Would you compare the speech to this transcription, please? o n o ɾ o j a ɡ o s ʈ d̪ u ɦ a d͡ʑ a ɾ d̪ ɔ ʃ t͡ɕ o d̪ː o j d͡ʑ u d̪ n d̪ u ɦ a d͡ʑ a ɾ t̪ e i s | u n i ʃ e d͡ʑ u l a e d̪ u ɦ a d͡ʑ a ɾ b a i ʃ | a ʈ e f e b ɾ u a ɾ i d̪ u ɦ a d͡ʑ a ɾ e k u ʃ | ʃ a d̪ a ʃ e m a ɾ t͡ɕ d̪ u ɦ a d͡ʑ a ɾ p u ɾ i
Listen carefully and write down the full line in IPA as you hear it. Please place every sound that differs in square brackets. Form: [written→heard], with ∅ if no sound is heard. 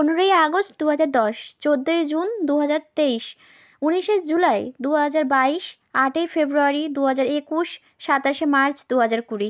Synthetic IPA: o n o ɾ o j a ɡ o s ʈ d̪ u ɦ a d͡ʑ a ɾ d̪ ɔ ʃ t͡ɕ o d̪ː o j d͡ʑ u [d̪→∅] n d̪ u ɦ a d͡ʑ a ɾ t̪ e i [s→ʃ] | u n i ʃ e d͡ʑ u l a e d̪ u ɦ a d͡ʑ a ɾ b a i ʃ | a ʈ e f e b ɾ u a ɾ i d̪ u ɦ a d͡ʑ a ɾ e k u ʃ | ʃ a [d̪→t̪] a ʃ e m a ɾ t͡ɕ d̪ u ɦ a d͡ʑ a ɾ [p→k] u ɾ i